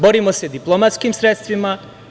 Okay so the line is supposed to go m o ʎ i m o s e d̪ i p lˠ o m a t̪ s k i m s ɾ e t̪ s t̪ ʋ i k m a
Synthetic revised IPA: b o ɾ i m o s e d̪ i p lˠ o m a t̪ s k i m s ɾ e t̪ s t̪ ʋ i m a